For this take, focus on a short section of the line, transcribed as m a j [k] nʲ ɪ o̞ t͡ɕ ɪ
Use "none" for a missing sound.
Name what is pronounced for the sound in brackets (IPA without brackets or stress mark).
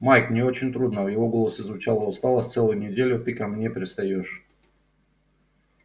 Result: k